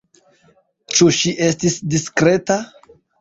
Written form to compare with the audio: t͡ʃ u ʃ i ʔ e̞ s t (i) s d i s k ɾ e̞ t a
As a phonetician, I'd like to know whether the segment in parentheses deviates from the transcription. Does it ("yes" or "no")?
no